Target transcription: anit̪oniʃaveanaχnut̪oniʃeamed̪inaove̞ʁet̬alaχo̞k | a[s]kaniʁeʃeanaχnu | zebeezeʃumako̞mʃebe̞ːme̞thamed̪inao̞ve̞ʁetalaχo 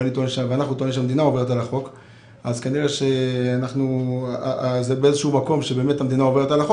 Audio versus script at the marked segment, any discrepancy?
yes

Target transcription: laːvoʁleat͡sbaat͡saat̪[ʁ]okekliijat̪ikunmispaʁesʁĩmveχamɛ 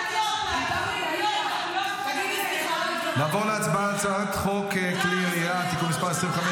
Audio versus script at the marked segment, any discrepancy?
yes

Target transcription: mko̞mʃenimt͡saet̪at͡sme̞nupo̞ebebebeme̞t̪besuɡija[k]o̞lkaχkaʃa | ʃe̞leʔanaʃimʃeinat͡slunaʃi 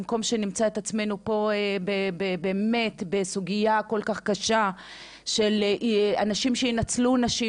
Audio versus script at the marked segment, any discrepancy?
no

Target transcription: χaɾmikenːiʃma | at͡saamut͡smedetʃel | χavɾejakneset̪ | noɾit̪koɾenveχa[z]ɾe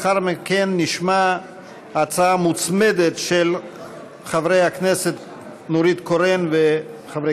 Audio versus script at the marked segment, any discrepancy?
yes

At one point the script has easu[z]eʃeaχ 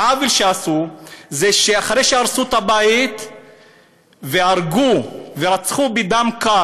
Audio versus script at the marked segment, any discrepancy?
no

